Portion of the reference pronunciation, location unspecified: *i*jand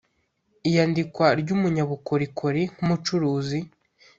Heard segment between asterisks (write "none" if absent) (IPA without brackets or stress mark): i